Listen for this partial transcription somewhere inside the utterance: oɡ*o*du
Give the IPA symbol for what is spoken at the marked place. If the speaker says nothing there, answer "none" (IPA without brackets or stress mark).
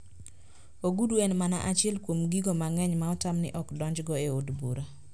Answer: u